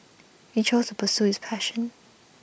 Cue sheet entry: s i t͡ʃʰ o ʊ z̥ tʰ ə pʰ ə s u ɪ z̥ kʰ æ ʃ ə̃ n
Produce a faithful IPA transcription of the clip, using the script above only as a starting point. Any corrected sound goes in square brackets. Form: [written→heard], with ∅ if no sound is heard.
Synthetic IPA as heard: [s→h] i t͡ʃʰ o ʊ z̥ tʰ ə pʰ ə s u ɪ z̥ [kʰ→pʰ] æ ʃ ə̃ n